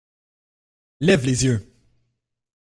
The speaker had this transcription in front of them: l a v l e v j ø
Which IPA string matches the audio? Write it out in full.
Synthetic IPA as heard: l ɛ v l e z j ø